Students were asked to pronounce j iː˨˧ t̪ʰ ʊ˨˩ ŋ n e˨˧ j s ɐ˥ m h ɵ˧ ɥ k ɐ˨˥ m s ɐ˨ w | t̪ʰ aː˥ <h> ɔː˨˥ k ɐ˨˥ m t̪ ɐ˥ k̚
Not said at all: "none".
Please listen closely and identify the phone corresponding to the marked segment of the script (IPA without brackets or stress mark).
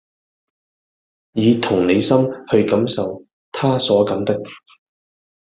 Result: s